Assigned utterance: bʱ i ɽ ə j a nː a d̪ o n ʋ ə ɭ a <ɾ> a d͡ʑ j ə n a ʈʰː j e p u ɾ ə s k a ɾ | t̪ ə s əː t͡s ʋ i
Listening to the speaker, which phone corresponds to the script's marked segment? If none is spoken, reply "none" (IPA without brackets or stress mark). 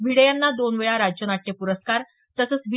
ɾ